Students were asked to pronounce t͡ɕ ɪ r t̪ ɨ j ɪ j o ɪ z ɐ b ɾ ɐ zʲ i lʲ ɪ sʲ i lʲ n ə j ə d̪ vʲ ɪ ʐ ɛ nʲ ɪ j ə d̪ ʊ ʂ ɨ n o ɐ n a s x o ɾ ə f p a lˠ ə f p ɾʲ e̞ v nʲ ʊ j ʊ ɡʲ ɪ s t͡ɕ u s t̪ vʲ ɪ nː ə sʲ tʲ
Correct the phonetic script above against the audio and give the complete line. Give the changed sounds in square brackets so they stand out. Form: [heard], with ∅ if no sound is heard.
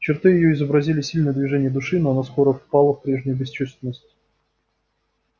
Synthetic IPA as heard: t͡ɕ ɪ r t̪ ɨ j ɪ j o ɪ z [ə] b ɾ ɐ zʲ i lʲ ɪ sʲ i lʲ n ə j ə d̪ vʲ ɪ ʐ ɛ nʲ ɪ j ə d̪ ʊ ʂ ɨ n o ɐ n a s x o ɾ ə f p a lˠ ə f p ɾʲ e̞ [ʐ] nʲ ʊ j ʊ [bʲ] ɪ s t͡ɕ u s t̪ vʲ ɪ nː ə sʲ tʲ